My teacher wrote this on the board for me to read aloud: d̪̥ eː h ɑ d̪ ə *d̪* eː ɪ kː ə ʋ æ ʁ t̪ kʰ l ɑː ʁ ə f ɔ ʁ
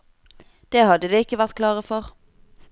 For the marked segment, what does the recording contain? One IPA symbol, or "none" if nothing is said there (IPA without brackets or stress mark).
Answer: d̪